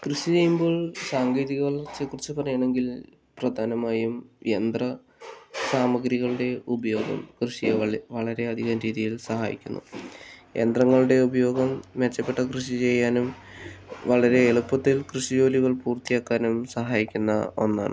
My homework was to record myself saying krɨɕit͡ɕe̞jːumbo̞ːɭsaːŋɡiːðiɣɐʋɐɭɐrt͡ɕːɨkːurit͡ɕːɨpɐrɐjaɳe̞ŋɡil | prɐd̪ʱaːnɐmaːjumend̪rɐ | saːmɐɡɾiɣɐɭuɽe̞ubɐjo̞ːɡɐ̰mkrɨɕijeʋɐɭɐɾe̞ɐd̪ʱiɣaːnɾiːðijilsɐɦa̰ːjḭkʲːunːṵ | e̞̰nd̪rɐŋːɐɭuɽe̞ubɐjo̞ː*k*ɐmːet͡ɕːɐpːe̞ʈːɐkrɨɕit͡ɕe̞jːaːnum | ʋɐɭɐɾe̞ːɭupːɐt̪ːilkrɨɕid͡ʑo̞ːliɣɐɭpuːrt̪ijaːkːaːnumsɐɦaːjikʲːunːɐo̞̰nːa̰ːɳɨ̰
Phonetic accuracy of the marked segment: incorrect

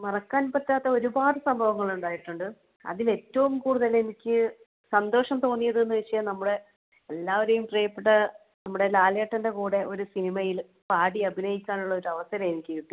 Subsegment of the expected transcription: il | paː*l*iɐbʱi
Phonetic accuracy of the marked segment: incorrect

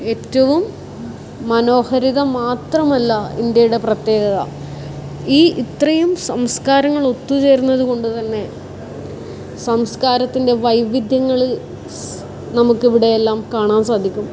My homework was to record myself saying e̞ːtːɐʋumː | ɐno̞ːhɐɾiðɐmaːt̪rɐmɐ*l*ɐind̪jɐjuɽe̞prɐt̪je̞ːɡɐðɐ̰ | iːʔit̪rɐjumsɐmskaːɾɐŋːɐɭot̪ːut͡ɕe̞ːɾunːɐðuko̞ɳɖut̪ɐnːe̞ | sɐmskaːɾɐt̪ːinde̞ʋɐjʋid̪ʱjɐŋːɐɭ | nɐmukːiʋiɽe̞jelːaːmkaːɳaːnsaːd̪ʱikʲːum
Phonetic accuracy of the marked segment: incorrect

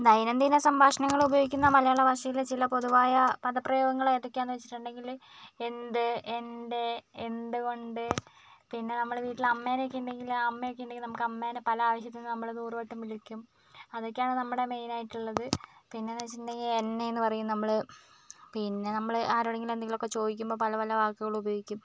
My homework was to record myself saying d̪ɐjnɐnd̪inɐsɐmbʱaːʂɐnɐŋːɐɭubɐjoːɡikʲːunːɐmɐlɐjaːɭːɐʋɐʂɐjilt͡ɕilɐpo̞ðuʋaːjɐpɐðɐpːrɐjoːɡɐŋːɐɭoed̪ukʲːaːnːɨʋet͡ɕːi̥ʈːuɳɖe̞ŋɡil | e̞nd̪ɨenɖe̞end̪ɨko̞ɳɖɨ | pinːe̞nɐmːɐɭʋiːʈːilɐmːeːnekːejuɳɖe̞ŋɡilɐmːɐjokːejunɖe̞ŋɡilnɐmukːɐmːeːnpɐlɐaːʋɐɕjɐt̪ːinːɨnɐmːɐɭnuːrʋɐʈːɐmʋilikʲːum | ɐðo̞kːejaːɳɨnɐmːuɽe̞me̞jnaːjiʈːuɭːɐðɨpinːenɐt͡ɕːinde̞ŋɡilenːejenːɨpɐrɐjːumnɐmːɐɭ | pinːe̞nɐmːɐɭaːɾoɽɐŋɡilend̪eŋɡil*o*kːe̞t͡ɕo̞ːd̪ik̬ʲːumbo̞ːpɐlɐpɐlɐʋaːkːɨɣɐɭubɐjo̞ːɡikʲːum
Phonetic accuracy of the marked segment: correct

